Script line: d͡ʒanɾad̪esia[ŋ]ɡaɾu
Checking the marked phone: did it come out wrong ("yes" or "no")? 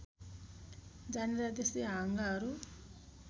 no